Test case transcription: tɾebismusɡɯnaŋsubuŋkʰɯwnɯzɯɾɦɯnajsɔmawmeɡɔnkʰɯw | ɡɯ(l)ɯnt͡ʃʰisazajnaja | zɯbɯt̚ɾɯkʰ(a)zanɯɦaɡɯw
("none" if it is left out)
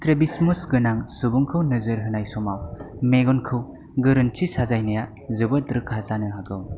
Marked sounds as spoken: ɾ, a

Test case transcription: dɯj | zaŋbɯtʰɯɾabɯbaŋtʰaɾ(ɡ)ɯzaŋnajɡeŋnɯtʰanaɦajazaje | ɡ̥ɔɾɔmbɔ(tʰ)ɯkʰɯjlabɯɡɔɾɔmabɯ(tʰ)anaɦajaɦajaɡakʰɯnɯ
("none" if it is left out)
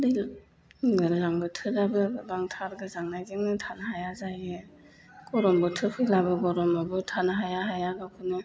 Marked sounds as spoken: ɡ, tʰ, tʰ

